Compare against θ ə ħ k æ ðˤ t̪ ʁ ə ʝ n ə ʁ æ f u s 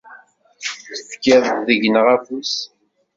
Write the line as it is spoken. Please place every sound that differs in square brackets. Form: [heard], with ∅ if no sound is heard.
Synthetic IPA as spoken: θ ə [f] k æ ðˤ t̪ [ð] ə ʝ n ə ʁ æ f u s